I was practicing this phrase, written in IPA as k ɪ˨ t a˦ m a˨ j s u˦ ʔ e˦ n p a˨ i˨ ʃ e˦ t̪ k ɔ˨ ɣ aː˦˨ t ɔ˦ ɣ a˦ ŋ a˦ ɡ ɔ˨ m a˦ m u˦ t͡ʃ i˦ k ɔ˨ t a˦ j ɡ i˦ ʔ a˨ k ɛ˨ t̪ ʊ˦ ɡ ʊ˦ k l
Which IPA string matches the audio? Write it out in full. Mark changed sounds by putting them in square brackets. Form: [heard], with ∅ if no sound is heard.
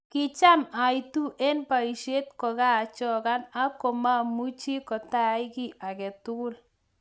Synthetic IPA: k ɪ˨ [t͡ʃ] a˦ m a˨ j [t] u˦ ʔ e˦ n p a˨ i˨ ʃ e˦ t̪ k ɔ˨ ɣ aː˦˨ [t͡ʃ] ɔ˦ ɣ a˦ [n] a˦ [k] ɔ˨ m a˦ m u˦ t͡ʃ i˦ k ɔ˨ t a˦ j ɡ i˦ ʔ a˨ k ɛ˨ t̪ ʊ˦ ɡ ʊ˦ [∅] l